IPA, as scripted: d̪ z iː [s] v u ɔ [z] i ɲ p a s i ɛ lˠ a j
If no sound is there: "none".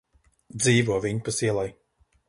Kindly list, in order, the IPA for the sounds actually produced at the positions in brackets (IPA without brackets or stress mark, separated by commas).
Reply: none, v